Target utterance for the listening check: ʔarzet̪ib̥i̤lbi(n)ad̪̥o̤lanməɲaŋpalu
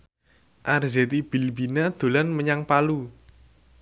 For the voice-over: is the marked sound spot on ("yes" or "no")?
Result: yes